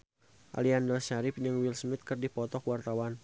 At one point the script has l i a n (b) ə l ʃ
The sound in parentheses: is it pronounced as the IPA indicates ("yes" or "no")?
no